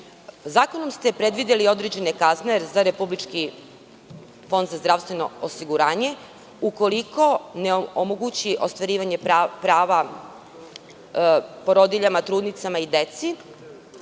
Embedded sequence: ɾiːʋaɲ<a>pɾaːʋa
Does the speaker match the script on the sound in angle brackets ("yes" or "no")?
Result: no